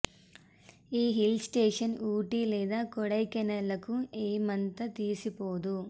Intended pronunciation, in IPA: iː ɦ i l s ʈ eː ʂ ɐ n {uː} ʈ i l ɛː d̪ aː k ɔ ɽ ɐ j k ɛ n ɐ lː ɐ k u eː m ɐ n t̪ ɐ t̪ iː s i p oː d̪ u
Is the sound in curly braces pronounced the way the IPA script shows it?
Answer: yes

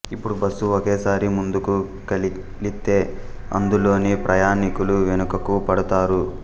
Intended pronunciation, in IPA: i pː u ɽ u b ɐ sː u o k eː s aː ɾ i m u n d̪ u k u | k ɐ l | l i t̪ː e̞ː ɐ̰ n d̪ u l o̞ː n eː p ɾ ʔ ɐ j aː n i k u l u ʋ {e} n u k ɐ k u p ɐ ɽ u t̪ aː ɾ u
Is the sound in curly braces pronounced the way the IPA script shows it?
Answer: yes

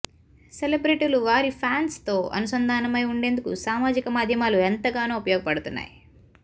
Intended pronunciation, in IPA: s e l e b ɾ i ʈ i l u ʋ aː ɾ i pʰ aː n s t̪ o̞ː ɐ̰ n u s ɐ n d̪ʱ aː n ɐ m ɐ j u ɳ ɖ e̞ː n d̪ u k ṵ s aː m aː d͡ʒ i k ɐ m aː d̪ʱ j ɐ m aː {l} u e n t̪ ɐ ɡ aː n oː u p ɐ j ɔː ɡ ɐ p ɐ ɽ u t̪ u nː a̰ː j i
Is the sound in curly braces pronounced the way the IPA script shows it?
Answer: yes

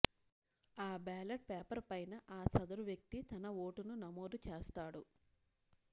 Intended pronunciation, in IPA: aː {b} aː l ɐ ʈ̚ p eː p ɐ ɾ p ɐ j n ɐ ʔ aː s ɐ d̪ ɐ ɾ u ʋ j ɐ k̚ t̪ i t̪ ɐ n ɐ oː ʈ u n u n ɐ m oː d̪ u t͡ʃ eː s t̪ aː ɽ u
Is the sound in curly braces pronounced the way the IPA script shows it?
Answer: yes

